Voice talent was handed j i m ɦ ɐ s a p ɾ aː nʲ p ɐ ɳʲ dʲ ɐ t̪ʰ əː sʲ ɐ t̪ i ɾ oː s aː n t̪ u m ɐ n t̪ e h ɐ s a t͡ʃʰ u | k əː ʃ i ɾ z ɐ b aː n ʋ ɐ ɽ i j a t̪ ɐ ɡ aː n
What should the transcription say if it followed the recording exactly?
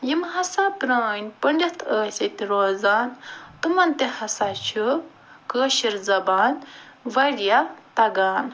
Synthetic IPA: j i m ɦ ɐ s a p ɾ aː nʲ p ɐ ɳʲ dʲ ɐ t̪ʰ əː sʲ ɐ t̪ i ɾ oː z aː n t̪ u m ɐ n t̪ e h ɐ s a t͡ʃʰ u | k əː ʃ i ɾ z ɐ b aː n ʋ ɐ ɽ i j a t̪ ɐ ɡ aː n

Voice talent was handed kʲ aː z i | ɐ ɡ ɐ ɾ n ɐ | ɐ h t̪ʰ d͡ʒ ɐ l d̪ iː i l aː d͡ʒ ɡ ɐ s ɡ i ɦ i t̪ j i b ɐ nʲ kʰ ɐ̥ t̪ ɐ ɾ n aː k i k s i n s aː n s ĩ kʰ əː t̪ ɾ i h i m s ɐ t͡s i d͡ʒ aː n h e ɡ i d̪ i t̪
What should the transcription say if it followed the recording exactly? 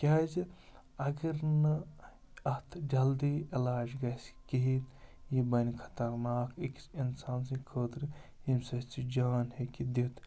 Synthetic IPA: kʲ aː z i | ɐ ɡ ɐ ɾ n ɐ | ɐ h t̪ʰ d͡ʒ ɐ l d̪ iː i l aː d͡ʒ ɡ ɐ s k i ɦ i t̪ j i b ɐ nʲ kʰ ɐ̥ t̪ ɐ ɾ n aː k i k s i n s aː n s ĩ kʰ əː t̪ ɾ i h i m s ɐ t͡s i d͡ʒ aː n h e k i d̪ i t̪

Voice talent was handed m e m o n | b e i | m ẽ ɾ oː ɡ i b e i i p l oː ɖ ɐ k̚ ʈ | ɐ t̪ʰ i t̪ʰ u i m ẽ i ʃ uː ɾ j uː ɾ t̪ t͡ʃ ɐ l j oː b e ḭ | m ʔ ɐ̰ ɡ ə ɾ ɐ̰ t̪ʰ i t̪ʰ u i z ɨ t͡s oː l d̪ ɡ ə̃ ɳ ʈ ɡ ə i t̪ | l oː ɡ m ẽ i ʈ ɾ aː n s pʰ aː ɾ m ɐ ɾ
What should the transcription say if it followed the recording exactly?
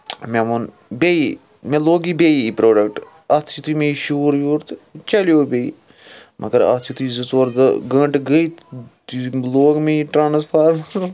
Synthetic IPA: m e m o n | b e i | m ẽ l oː ɡ i b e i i p ɾ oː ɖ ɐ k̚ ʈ | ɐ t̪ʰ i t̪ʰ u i m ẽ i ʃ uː ɾ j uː ɾ t̪ t͡ʃ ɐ l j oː b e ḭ | m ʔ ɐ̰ ɡ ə ɾ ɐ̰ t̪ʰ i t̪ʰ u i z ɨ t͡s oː ɾ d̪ ɡ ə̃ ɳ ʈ ɡ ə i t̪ | l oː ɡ m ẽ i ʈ ɾ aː n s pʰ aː ɾ m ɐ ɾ

